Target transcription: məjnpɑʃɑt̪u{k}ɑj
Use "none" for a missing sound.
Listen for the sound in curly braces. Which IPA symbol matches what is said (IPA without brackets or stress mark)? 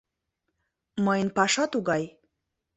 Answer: ɡ